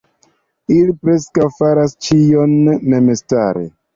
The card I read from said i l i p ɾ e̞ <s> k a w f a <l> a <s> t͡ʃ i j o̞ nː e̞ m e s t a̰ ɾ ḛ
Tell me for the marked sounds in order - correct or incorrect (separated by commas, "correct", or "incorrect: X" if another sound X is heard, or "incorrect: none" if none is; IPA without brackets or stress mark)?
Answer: correct, incorrect: ɾ, correct